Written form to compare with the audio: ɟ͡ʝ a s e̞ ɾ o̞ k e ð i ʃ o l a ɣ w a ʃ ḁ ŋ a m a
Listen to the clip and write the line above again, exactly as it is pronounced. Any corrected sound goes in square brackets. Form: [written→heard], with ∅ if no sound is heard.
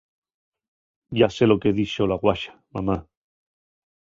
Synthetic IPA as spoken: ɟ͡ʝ a s e̞ [ɾ→l] o̞ k e ð i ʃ o l a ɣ w a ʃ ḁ [ŋ→m] a m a